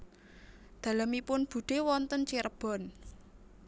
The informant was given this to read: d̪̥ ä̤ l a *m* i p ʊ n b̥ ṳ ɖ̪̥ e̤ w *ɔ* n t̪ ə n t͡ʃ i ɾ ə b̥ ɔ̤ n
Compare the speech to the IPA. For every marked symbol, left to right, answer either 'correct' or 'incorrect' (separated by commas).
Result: correct, correct